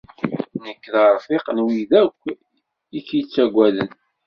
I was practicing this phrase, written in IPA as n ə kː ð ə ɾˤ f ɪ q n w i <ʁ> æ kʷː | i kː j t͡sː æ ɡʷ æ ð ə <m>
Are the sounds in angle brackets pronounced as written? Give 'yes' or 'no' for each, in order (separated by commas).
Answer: no, no